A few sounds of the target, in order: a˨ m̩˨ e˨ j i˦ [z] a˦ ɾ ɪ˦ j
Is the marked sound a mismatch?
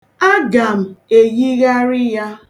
yes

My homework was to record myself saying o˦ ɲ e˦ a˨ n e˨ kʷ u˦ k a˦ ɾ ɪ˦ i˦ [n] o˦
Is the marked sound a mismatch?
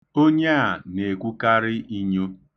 yes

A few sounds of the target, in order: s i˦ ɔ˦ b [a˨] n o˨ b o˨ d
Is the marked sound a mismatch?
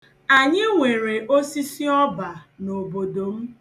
no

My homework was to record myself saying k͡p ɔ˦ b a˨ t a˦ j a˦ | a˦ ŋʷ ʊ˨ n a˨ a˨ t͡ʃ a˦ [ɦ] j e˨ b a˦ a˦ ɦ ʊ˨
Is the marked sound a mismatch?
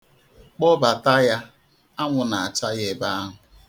yes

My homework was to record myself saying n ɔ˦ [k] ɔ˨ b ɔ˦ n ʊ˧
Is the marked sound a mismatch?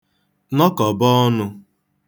no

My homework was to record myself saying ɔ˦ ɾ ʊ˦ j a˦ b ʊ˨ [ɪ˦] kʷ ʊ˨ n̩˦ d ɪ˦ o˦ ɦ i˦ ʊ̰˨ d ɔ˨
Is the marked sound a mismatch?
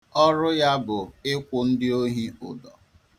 no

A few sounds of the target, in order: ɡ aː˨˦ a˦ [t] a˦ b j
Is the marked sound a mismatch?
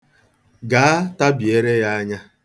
no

